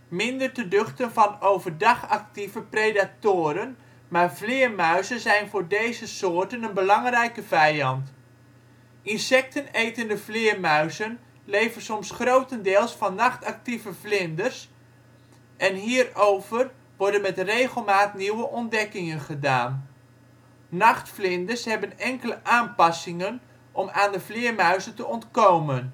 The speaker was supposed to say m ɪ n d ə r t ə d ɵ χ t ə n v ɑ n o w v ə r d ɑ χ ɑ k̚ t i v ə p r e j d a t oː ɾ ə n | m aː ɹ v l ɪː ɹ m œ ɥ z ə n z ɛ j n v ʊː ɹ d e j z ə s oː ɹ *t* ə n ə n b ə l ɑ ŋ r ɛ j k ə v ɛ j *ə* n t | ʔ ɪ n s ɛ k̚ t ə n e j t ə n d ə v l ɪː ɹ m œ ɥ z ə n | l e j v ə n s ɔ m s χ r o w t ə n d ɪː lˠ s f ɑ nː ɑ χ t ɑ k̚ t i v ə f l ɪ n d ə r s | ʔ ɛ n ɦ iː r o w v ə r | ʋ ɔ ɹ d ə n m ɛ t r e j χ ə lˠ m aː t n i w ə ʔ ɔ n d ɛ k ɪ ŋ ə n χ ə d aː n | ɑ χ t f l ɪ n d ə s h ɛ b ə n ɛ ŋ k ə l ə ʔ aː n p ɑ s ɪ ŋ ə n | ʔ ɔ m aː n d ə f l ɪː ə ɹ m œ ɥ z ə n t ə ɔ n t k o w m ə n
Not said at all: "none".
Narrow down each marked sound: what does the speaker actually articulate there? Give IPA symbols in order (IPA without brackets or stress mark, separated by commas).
t, ɑ